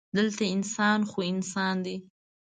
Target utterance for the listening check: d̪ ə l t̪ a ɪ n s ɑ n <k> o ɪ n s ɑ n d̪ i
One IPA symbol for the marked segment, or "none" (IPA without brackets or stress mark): x